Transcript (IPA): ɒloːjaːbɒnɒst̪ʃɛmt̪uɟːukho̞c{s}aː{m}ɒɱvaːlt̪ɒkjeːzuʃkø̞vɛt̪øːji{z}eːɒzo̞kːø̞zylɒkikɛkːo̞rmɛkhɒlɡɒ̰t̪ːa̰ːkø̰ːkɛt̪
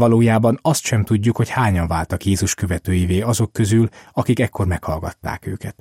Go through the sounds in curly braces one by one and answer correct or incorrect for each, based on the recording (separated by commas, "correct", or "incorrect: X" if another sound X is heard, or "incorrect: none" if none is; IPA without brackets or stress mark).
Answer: incorrect: h, incorrect: ɲ, incorrect: v